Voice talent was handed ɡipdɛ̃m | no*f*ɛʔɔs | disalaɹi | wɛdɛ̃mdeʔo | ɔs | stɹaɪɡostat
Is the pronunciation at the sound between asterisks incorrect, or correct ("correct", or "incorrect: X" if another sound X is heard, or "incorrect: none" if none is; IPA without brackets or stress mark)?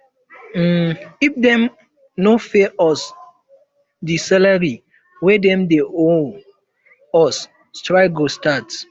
correct